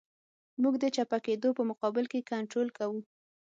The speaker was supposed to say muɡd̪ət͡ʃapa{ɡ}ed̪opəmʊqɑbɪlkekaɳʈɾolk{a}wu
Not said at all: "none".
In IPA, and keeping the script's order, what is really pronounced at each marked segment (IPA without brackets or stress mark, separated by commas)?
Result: k, a